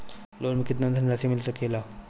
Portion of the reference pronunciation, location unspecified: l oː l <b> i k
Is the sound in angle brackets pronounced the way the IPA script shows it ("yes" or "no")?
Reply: no